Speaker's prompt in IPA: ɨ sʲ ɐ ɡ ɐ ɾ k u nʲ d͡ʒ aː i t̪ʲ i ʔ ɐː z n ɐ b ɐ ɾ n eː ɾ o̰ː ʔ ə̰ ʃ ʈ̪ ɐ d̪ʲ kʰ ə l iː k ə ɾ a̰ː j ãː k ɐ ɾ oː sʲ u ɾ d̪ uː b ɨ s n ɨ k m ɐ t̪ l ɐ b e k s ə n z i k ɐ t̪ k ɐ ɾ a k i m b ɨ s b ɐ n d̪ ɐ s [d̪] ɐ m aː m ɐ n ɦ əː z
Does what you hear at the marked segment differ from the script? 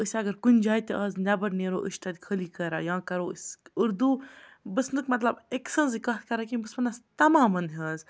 yes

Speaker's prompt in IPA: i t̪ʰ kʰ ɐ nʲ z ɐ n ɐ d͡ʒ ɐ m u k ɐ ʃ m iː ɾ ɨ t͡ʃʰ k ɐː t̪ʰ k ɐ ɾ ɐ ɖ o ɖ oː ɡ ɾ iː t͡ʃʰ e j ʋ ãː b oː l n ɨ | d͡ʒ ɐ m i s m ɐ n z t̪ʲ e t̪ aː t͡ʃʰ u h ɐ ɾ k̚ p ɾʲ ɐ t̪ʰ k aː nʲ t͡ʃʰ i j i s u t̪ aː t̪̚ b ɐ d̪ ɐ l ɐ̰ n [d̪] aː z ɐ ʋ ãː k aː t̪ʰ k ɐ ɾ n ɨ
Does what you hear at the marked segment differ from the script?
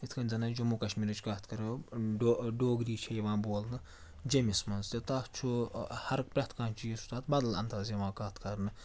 yes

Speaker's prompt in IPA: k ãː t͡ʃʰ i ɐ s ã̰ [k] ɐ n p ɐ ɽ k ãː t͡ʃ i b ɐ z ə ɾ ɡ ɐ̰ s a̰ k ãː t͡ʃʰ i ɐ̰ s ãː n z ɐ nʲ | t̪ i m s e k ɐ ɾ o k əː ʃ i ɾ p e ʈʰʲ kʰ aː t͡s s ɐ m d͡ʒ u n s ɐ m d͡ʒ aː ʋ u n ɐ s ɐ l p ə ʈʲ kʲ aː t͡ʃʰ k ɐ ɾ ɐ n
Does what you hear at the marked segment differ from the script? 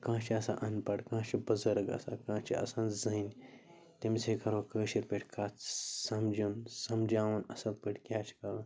yes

